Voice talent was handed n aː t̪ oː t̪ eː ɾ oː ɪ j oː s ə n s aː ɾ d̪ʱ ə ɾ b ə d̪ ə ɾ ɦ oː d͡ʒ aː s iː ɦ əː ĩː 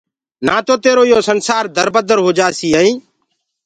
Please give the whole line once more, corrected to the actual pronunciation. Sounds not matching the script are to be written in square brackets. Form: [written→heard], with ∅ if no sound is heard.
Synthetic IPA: n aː t̪ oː t̪ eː ɾ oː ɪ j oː s ə n s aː ɾ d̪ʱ ə ɾ b ə d̪ ə ɾ ɦ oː d͡ʒ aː s iː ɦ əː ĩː